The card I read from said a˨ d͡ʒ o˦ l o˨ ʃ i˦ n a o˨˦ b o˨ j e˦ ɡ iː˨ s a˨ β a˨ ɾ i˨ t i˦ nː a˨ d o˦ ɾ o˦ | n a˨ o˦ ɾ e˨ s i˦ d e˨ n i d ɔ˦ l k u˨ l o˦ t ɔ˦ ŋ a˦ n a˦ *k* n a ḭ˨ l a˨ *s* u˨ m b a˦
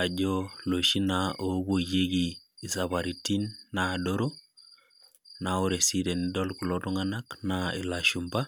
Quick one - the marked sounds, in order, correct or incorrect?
correct, incorrect

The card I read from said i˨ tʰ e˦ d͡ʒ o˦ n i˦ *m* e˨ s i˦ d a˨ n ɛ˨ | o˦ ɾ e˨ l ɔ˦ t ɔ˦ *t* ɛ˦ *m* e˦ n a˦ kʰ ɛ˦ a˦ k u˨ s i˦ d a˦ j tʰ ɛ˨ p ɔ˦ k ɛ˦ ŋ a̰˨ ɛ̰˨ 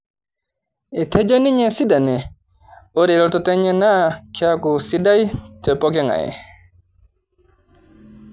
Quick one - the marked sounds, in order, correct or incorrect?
incorrect, correct, incorrect

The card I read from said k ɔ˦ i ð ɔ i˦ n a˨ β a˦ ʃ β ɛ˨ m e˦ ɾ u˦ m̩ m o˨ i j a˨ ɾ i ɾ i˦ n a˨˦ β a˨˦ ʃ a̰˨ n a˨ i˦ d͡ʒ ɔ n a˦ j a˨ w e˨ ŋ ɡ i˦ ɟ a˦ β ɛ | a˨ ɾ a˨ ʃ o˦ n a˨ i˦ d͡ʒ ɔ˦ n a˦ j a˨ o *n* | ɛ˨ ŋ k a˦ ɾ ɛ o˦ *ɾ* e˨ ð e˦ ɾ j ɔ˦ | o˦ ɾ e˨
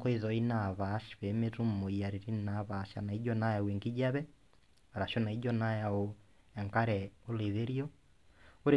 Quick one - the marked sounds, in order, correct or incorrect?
incorrect, incorrect

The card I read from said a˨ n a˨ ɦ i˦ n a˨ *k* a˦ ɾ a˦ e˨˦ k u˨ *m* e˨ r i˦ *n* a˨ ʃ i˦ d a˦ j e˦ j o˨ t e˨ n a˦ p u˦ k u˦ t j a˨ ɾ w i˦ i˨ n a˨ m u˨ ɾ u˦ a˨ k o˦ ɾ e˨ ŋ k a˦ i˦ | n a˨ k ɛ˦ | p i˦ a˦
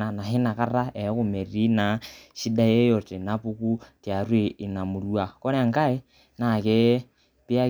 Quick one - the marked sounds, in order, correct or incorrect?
correct, correct, correct

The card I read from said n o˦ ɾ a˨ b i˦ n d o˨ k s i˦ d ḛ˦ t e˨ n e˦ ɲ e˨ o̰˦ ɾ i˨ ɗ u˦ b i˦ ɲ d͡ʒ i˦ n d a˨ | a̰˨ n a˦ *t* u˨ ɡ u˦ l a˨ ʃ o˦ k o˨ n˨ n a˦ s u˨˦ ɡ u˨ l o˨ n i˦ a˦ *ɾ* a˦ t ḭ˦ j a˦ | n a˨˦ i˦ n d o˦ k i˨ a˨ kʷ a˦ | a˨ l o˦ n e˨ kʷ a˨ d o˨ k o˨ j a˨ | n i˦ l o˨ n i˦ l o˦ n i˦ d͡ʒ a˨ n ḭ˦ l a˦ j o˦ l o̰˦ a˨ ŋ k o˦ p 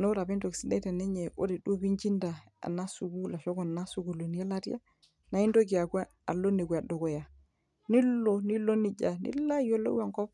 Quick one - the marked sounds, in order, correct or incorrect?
incorrect, incorrect

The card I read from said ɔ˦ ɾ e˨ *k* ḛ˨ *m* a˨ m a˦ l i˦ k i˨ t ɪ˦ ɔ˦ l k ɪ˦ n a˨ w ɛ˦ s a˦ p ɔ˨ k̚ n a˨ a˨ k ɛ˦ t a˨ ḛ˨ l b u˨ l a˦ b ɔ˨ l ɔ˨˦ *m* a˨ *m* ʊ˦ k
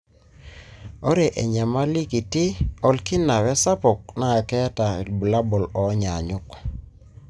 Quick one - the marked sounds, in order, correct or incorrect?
incorrect, incorrect, incorrect, incorrect

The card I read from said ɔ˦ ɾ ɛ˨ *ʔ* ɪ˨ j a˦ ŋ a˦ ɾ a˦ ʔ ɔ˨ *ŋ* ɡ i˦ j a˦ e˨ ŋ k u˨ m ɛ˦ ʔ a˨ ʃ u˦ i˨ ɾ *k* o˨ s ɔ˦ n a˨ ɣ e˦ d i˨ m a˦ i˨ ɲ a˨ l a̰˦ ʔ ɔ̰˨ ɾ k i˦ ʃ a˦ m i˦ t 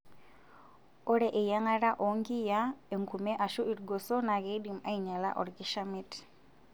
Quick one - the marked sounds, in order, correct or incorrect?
correct, correct, incorrect

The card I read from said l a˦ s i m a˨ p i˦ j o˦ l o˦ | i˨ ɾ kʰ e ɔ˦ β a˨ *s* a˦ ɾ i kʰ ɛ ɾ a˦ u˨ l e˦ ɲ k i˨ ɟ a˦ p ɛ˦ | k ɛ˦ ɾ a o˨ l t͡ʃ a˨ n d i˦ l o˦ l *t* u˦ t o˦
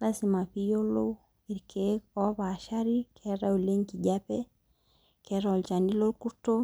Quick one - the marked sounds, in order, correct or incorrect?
incorrect, incorrect

